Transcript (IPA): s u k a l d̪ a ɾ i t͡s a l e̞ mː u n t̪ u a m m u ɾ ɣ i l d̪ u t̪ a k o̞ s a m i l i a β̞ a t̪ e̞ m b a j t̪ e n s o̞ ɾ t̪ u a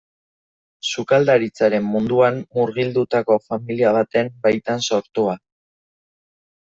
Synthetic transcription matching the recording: s u k a l d̪ a ɾ i t͡s a ɾ e̞ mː u n d̪ u a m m u ɾ ɣ i l d̪ u t̪ a k o̞ f a m i l i a β̞ a t̪ e̞ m b a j t̪ a n s o̞ ɾ t̪ u a

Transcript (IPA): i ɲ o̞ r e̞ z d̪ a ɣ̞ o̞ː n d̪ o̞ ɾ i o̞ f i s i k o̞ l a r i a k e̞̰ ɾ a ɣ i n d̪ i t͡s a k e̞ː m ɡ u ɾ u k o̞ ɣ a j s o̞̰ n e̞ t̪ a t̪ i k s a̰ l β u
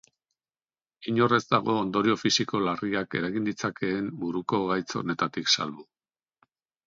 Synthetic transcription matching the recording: i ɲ o̞ r e̞ z d̪ a ɣ̞ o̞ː n d̪ o̞ ɾ i o̞ f i s i k o̞ l a r i a k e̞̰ ɾ a ɣ i n d̪ i t͡s a k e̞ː m b u ɾ u k o̞ ɣ a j t͡s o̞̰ n e̞ t̪ a t̪ i k s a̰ l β u

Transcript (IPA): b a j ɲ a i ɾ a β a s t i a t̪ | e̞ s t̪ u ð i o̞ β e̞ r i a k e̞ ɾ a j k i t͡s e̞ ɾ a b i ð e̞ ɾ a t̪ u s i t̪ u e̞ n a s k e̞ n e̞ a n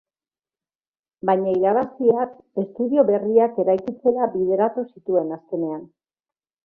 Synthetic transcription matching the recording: b a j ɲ a i ɾ a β a s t i a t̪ | e̞ s t̪ u ð i o̞ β e̞ r i a k e̞ ɾ a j k i t͡s e̞ ɾ a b i ð e̞ ɾ a t̪ u s i t̪ u e̞ n a s k e̞ n e̞ a n

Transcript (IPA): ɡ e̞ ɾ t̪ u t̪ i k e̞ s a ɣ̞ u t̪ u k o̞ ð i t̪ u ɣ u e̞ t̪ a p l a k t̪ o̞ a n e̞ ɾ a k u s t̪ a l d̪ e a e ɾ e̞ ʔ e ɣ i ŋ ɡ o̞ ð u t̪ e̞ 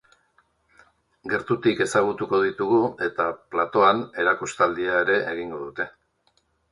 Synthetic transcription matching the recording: ɡ e̞ ɾ t̪ u t̪ i k e̞ s a ɣ̞ u t̪ u k o̞ ð i t̪ u ɣ u e̞ t̪ a p l a t̪ o̞ a n e̞ ɾ a k u s t̪ a l d̪ i a e ɾ e̞ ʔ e ɣ i ŋ ɡ o̞ ð u t̪ e̞

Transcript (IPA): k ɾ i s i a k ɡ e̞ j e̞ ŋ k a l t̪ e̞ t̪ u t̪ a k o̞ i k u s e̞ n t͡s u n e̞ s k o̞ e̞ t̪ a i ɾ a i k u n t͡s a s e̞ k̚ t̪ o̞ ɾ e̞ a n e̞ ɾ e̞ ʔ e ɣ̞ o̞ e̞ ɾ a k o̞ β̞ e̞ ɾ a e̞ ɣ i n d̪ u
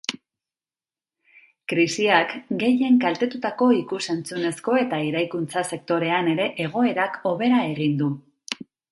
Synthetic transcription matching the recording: k ɾ i s i a k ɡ e̞ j e̞ ŋ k a l t̪ e̞ t̪ u t̪ a k o̞ i k u s e̞ n t͡s u n e̞ s k o̞ e̞ t̪ a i ɾ a j k u n t͡s a s e̞ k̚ t̪ o̞ ɾ e̞ a n e̞ ɾ e̞ ʔ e ɣ̞ o̞ e̞ ɾ a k o̞ β̞ e̞ ɾ a e̞ ɣ i n d̪ u

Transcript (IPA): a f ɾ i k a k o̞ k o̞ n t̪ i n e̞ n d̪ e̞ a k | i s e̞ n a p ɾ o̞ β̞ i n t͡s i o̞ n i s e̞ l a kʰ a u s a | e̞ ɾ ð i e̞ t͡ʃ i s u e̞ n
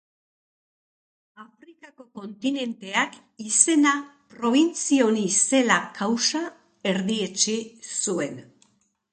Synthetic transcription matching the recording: a f ɾ i k a k o̞ k o̞ n t̪ i n e̞ n t̪ e̞ a k | i s e̞ n a p ɾ o̞ β̞ i n t͡s i o̞ n i s e̞ l a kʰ a w s a | e̞ ɾ ð i e̞ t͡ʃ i s u e̞ n

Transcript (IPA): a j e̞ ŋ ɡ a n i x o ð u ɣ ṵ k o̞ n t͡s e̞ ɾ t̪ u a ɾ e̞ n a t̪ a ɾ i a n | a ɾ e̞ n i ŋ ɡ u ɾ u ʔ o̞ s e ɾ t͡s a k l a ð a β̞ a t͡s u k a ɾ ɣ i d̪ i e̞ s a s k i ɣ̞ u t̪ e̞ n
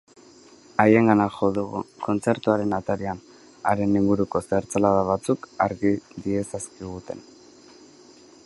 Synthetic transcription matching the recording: a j e̞ ŋ ɡ a n a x o ð u ɣ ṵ k o̞ n t͡s e̞ ɾ t̪ u a ɾ e̞ n a t̪ a ɾ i a n | a ɾ e̞ n i ŋ ɡ u ɾ u k o̞ s e ɾ t͡s a l a ð a β̞ a t͡s u k a ɾ ɣ i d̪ i e̞ s a s k i ɣ̞ u t̪ e̞ n

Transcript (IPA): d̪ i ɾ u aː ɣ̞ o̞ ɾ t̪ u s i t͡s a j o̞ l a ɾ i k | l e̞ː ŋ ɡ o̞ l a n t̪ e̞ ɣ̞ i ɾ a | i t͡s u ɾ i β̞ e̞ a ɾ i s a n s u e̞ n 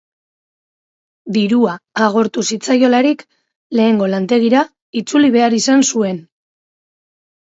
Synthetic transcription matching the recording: d̪ i ɾ u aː ɣ̞ o̞ ɾ t̪ u s i t͡s a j o̞ l a ɾ i k | l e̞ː ŋ ɡ o̞ l a n t̪ e̞ ɣ̞ i ɾ a | i t͡s u l i β̞ e̞ a ɾ i s a n s u e̞ n

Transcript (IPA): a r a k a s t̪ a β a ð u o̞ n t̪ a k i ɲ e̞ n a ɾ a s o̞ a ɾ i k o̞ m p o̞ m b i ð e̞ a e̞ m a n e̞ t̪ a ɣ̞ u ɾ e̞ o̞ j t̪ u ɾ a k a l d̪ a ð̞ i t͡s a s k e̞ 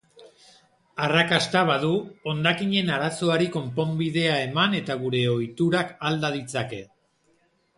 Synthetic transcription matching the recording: a r a k a s t̪ a β a ð u o̞ n d̪ a k i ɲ e̞ n a ɾ a s o̞ a ɾ i k o̞ m p o̞ m b i ð e̞ a e̞ m a n e̞ t̪ a ɣ̞ u ɾ e̞ o̞ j t̪ u ɾ a k a l d̪ a ð̞ i t͡s a k e̞

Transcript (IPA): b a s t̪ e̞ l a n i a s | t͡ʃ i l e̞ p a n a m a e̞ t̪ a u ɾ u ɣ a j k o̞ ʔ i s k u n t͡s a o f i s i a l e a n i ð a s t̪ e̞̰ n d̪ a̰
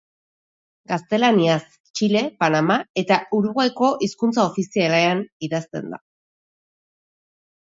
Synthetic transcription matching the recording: ɡ a s t̪ e̞ l a n i a s | t͡ʃ i l e̞ p a n a m a e̞ t̪ a u ɾ u ɣ a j k o̞ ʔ i s k u n t͡s a o f i s i a l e a n i ð a s t̪ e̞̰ n d̪ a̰

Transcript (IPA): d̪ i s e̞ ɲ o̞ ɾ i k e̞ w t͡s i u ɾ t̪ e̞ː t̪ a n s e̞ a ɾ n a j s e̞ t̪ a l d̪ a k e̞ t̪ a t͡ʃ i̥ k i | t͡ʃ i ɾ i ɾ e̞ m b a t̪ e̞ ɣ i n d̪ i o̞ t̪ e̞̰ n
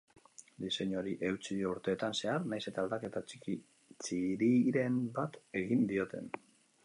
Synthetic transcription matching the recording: d̪ i s e̞ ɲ o̞ ɾ i ʔ e̞ w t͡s i u ɾ t̪ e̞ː t̪ a n s e̞ a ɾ n a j s e̞ t̪ a l d̪ a k e̞ t̪ a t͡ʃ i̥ k i | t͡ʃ i ɾ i ɾ e̞ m b a t̪ e̞ ɣ i n d̪ i o̞ t̪ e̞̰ n

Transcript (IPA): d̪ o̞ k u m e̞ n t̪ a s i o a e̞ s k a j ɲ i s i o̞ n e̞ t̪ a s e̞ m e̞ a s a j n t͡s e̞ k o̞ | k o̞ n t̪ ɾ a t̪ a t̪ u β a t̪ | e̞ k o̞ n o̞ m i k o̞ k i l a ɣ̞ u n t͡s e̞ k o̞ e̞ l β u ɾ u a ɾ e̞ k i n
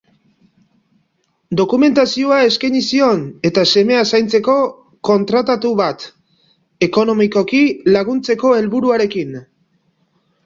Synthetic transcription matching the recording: d̪ o̞ k u m e̞ n t̪ a s i o a e̞ s k a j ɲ i s i o̞ n e̞ t̪ a s e̞ m e̞ a s a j n t͡s e̞ k o̞ | k o̞ n t̪ ɾ a t̪ a t̪ u β a t̪ | e̞ k o̞ n o̞ m i k o̞ k i l a ɣ̞ u n t͡s e̞ k o̞ e̞ l β u ɾ u a ɾ e̞ k i n

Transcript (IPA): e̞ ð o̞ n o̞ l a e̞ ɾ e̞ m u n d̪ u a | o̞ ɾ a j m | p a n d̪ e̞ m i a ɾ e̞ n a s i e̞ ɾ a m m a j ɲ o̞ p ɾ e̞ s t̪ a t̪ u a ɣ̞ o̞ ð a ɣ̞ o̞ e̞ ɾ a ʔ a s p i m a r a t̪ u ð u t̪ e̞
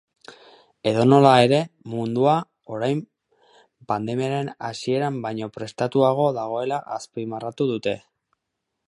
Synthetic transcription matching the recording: e̞ ð o̞ n o̞ l a e̞ ɾ e̞ m u n d̪ u a | o̞ ɾ a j m | p a n d̪ e̞ m i a ɾ e̞ n a s i e̞ ɾ a m b a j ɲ o̞ p ɾ e̞ s t̪ a t̪ u a ɣ̞ o̞ ð a ɣ̞ o̞ e̞ l a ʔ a s p i m a r a t̪ u ð u t̪ e̞

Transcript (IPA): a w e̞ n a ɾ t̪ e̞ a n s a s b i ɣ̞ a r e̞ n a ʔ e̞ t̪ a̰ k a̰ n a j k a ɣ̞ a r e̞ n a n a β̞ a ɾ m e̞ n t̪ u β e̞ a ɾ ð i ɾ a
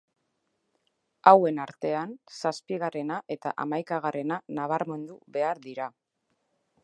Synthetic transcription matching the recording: a w e̞ n a ɾ t̪ e̞ a n s a s p i ɣ̞ a r e̞ n a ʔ e̞ t̪ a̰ ʔ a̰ m a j k a ɣ̞ a r e̞ n a n a β̞ a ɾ m e̞ n d̪ u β e̞ a ɾ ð i ɾ a

